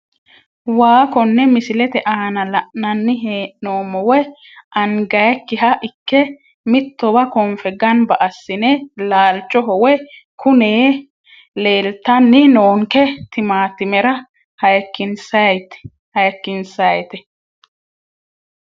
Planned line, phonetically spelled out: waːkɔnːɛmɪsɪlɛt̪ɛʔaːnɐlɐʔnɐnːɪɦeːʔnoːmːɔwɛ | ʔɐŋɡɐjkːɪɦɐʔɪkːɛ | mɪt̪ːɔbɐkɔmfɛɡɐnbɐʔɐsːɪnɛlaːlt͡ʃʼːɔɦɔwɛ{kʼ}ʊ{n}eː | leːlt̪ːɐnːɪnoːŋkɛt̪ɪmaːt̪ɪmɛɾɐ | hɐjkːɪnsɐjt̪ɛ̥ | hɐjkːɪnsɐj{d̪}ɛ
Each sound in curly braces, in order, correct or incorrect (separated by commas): incorrect, correct, incorrect